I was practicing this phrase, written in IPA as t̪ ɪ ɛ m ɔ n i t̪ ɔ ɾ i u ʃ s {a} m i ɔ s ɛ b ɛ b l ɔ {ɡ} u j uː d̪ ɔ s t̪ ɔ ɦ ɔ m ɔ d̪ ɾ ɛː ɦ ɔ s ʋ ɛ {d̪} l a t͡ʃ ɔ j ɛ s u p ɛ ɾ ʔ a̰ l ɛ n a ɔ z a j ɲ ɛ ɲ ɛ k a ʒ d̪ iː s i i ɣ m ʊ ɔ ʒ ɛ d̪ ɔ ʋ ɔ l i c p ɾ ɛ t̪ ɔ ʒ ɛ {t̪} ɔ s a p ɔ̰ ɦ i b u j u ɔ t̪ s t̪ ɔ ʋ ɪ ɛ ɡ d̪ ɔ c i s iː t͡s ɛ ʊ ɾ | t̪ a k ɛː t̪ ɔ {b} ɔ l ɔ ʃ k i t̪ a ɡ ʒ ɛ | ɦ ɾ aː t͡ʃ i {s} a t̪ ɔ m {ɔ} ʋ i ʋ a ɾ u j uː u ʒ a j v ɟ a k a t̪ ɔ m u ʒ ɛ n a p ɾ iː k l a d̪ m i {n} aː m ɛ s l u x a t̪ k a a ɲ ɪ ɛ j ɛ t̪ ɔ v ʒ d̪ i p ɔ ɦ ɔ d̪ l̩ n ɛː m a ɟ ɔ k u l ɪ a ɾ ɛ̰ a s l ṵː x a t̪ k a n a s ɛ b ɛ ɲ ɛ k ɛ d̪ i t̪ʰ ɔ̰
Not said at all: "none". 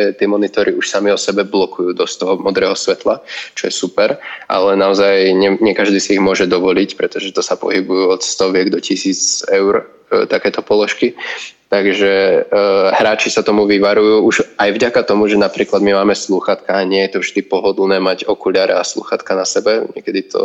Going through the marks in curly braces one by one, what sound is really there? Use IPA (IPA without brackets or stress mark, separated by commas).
a, k, t̪, t̪, p, s, u, m